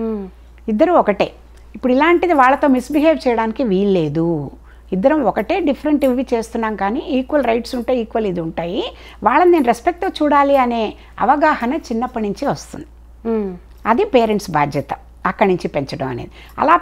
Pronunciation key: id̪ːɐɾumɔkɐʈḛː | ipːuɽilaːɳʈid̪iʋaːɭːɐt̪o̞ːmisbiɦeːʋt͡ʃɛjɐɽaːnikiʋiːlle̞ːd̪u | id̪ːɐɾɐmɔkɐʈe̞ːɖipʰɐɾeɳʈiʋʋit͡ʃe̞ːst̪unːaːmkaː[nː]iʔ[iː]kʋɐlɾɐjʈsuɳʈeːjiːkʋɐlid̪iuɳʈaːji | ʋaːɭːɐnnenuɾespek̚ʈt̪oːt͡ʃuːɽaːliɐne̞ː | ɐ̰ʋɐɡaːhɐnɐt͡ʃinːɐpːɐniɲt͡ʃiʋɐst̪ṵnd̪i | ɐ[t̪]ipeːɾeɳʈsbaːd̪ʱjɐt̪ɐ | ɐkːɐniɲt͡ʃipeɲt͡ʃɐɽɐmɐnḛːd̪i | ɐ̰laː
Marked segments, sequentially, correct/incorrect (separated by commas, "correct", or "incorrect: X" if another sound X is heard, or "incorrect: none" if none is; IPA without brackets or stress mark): incorrect: n, correct, incorrect: d̪